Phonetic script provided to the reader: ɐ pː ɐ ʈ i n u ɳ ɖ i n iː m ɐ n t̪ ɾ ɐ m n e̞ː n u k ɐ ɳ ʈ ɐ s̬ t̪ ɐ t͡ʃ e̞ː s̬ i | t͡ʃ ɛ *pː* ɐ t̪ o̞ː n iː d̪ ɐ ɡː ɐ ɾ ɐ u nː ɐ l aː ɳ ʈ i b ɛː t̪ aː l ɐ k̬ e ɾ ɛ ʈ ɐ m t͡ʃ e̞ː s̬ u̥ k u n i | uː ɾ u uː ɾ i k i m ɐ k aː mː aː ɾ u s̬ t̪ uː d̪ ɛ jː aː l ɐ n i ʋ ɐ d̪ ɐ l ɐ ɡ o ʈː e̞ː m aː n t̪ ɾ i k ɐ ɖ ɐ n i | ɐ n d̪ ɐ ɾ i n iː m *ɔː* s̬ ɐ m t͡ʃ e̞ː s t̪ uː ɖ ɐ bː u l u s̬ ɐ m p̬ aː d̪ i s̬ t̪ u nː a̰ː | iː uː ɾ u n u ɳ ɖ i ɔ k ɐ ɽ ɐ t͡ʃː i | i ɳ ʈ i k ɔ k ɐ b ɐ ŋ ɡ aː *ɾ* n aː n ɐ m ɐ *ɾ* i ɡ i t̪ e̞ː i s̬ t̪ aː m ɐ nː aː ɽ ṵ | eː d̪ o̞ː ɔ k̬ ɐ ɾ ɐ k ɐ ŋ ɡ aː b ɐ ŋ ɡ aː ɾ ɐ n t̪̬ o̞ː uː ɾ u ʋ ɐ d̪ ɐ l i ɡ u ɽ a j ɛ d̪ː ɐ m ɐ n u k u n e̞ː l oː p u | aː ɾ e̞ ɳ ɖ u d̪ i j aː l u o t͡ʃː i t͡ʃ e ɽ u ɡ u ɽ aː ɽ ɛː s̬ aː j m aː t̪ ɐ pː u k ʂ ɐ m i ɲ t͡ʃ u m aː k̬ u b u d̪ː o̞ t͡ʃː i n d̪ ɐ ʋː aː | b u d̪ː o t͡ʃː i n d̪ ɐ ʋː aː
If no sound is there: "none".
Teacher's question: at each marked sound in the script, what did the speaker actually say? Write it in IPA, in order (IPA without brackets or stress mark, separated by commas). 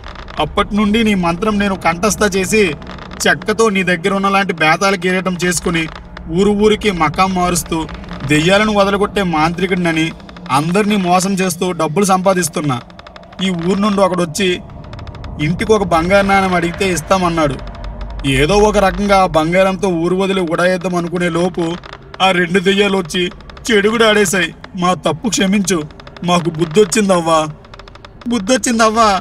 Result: kː, ɔː, ɾ, ɽ